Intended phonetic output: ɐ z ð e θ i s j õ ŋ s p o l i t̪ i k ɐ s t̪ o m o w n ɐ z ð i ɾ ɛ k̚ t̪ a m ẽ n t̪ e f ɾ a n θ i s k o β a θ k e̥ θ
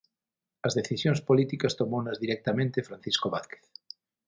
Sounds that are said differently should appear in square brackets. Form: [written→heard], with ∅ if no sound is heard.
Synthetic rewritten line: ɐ z ð e θ i s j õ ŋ s p o l i t̪ i k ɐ s t̪ o m o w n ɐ z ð i ɾ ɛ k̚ t̪ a m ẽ n t̪ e f ɾ a n θ i s k o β a θ k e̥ θ